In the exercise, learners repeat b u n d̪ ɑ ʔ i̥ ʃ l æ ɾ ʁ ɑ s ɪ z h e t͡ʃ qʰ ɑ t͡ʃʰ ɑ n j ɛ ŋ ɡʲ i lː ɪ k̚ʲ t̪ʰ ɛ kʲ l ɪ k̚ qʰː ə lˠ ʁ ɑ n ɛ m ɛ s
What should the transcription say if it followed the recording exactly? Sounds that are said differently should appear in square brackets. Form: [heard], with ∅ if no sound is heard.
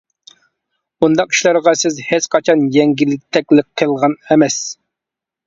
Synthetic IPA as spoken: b u n d̪ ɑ [q] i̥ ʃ l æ ɾ ʁ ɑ s ɪ z h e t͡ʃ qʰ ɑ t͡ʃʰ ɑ n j ɛ ŋ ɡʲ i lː ɪ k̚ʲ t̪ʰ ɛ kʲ l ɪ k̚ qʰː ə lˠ ʁ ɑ n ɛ m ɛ s